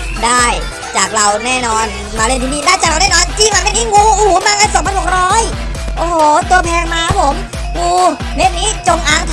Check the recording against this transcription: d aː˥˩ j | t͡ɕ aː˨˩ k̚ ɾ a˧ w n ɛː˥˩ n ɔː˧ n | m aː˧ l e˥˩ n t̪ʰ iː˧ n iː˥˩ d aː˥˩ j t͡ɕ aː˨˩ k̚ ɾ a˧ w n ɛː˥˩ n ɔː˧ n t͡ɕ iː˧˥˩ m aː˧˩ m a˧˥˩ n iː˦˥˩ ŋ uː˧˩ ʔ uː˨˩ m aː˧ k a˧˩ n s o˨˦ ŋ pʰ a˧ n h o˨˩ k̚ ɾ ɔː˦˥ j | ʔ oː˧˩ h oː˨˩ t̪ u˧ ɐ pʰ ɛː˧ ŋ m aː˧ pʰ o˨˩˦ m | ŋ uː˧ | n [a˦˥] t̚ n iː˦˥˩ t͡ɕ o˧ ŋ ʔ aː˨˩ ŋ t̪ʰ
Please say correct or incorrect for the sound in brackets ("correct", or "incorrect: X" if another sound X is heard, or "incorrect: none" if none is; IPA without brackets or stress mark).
incorrect: e˦˥